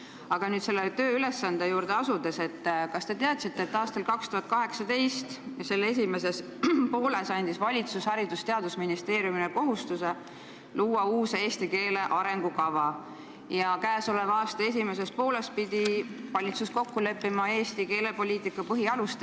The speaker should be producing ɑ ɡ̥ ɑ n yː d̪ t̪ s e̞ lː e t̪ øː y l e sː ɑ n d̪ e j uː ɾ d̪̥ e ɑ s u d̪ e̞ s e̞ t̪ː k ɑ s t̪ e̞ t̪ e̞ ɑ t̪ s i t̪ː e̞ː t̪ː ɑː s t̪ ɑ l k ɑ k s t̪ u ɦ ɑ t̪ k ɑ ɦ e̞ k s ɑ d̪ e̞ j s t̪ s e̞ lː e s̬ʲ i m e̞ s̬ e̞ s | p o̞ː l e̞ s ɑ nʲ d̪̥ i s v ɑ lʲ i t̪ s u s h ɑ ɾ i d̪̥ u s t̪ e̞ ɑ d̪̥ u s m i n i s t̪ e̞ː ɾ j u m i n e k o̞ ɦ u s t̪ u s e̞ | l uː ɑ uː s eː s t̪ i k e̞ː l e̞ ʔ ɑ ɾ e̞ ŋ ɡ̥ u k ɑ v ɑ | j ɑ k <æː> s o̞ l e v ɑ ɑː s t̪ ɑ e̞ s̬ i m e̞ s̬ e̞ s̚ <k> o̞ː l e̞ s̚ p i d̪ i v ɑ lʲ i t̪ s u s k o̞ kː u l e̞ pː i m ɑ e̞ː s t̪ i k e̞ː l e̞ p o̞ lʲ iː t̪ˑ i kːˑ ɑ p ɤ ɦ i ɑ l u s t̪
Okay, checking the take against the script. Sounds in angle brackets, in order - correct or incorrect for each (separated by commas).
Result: correct, incorrect